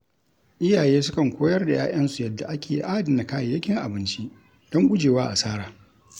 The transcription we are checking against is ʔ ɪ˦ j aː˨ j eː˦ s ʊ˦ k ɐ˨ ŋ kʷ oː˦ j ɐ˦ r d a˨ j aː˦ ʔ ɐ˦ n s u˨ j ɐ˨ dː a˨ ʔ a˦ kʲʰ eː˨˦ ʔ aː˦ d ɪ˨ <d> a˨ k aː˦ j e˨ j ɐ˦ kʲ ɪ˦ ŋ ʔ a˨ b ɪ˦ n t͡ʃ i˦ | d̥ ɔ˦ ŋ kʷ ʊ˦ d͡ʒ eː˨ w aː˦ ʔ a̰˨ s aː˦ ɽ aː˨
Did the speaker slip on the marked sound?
yes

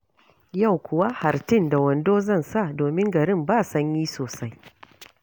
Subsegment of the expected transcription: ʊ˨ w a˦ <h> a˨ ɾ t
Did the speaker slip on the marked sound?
no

